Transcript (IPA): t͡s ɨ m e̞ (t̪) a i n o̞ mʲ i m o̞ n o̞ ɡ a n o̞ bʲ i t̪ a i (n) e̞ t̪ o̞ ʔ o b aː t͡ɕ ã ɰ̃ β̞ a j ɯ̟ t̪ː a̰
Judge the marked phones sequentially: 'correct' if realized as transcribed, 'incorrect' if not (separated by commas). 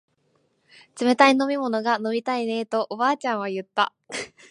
correct, correct